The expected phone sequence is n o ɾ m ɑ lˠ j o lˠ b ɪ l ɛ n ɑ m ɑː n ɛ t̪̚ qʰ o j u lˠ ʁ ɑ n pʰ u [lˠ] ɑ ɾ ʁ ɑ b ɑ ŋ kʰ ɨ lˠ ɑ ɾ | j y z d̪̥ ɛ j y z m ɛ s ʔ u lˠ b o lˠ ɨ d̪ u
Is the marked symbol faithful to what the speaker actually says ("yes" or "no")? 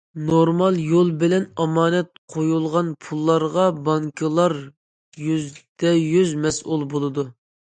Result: no